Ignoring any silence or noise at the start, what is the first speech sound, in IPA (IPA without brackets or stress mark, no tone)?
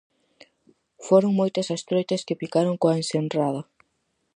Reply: f